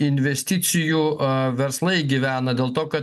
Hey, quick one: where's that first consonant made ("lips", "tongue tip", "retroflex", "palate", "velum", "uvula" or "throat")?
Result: tongue tip